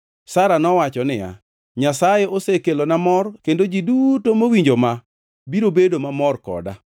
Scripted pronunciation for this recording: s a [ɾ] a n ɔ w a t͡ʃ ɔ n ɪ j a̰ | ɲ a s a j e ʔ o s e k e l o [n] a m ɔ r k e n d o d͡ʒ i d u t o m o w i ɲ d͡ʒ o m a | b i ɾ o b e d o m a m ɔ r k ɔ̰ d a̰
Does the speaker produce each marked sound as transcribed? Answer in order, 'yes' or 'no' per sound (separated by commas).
yes, yes